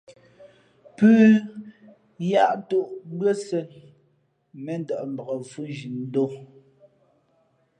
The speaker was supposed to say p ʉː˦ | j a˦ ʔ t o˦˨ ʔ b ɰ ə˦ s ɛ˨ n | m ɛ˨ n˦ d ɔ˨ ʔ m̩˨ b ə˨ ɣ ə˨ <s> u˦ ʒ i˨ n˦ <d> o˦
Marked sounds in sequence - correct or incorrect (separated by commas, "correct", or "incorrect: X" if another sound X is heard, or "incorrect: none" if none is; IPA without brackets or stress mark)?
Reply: incorrect: f, correct